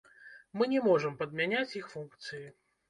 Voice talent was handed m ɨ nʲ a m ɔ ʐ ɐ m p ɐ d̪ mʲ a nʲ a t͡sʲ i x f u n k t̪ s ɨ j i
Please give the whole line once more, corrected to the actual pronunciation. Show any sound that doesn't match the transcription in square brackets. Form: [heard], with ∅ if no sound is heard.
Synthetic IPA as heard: m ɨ nʲ [ɛ] m ɔ ʐ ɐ m p ɐ d̪ mʲ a nʲ a t͡sʲ i x f u n k t̪ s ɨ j i